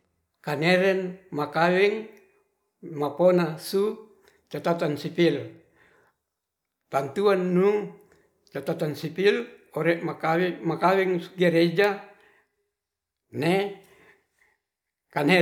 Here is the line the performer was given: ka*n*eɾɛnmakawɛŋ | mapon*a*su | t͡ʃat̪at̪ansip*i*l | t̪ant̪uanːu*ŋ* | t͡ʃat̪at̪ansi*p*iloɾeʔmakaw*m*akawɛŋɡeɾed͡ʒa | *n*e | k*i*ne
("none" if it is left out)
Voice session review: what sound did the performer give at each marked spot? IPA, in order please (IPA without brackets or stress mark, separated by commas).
n, a, i, ŋ, p, m, n, a